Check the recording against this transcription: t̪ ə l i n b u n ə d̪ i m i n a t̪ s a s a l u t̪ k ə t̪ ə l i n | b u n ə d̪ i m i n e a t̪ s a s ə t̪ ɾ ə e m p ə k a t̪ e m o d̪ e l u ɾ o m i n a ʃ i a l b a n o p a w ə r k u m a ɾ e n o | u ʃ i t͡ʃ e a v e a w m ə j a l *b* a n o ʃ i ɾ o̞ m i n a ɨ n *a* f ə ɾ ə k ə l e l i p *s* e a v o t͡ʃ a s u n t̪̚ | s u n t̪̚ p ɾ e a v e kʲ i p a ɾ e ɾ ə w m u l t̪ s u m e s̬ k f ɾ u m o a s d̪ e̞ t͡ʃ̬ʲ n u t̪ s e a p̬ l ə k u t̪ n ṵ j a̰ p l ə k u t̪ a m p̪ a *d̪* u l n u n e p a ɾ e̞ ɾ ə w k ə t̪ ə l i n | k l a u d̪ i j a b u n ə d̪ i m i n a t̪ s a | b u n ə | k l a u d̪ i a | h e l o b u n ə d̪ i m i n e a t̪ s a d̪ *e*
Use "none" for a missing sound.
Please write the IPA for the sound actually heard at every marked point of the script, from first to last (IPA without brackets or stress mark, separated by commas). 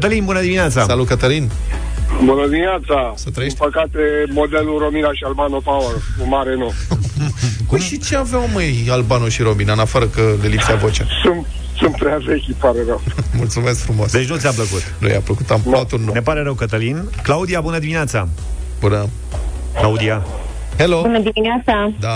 b, a, s, t̪, a